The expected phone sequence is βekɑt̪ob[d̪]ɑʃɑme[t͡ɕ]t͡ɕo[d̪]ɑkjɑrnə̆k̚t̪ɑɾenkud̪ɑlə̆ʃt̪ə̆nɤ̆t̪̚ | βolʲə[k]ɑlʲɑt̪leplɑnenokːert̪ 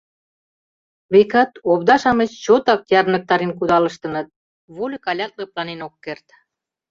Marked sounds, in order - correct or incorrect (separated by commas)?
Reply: correct, correct, incorrect, correct